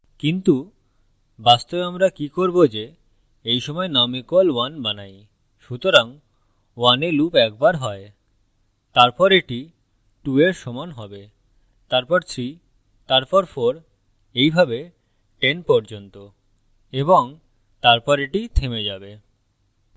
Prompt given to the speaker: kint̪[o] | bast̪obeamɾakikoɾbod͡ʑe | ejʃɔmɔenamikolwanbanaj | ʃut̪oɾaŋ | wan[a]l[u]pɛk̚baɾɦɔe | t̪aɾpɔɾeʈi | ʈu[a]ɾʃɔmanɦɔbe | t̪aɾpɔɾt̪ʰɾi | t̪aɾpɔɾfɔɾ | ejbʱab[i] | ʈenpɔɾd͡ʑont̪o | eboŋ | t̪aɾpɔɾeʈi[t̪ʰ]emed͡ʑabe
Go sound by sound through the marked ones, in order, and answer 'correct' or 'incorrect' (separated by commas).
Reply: incorrect, incorrect, correct, incorrect, incorrect, correct